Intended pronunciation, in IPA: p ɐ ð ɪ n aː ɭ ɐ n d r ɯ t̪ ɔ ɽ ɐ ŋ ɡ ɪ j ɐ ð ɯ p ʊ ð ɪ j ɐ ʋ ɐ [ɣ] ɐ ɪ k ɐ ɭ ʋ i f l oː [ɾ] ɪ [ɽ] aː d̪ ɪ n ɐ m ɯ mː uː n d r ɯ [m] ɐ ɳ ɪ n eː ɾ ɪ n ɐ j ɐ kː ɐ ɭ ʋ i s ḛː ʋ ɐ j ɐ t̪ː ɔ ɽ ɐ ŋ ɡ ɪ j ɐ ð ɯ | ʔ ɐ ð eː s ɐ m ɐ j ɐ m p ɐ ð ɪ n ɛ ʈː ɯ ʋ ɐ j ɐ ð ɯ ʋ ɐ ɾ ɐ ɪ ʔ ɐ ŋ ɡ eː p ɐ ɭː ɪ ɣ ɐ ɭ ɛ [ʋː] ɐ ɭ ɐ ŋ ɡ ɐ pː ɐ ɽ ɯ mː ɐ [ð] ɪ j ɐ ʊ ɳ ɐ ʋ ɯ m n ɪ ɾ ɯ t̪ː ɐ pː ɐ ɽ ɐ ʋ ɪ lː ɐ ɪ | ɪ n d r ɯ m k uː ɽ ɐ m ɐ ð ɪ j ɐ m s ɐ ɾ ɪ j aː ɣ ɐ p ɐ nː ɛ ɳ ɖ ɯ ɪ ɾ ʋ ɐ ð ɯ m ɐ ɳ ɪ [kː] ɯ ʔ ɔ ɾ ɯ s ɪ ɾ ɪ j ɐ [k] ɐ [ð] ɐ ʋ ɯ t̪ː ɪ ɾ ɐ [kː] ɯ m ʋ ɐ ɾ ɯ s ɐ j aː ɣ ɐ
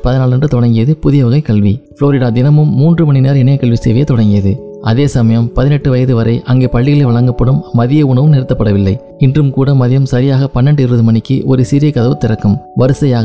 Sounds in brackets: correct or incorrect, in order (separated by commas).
correct, correct, correct, correct, incorrect, correct, correct, correct, correct, correct